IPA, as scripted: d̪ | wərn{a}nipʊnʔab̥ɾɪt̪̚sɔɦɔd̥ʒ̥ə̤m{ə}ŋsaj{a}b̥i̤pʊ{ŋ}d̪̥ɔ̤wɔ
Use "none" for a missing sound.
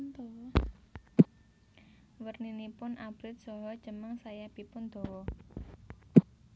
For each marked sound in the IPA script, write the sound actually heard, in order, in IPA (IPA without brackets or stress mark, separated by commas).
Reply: i, ə, a, n